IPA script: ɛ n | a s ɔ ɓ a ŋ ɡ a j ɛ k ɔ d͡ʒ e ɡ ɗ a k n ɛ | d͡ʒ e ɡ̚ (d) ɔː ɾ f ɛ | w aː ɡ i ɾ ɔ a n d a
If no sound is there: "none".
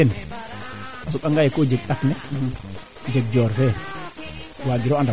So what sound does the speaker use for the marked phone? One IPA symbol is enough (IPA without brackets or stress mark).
d͡ʒ